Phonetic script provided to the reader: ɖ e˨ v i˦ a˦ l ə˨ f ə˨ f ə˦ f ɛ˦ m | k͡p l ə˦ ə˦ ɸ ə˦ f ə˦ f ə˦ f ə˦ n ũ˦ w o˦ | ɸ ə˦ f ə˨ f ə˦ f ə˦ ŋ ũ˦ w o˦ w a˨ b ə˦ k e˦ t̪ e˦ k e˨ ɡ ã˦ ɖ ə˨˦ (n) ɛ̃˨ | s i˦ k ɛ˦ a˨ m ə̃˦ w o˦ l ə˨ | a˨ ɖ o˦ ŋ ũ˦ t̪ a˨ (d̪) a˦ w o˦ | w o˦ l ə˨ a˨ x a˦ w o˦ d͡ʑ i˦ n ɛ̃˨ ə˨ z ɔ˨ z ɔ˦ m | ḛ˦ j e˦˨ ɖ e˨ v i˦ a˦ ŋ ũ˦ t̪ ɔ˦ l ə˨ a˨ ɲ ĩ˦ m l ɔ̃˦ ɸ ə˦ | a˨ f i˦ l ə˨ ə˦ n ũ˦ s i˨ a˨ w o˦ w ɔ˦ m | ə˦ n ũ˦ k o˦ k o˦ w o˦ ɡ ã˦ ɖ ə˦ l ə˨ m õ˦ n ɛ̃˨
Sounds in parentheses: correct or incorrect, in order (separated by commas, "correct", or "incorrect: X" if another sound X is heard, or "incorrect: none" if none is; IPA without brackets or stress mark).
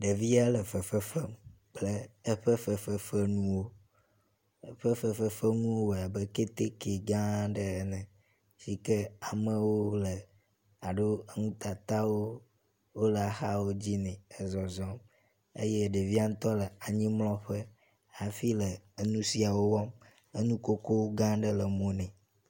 correct, incorrect: t̪